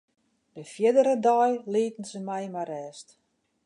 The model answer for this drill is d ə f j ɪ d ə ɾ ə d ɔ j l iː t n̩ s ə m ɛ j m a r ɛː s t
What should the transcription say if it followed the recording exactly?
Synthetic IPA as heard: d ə f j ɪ d ə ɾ ə d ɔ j l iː t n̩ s ə m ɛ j m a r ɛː s t